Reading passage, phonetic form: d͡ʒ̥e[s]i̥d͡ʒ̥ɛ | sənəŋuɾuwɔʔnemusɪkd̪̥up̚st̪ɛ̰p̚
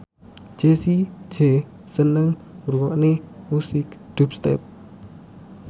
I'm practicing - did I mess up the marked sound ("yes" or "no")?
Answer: no